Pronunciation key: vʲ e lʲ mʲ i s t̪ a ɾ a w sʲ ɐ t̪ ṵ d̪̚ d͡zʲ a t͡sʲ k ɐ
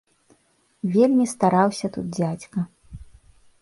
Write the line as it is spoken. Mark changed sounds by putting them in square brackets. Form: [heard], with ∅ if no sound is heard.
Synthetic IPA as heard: vʲ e lʲ mʲ i s t̪ a ɾ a w sʲ ɐ t̪ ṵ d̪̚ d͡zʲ a t͡sʲ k ɐ